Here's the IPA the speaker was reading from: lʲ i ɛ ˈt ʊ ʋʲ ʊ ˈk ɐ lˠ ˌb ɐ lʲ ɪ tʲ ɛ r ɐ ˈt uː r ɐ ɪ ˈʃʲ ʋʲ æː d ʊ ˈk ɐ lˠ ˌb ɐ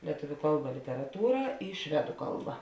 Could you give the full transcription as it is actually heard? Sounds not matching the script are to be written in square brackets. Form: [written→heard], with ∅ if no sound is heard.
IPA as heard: lʲ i ɛ ˈt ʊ ʋʲ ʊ ˈk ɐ lˠ ˌb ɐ lʲ ɪ tʲ ɛ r ɐ ˈt uː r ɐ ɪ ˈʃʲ ʋʲ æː d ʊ ˈk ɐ lˠ ˌb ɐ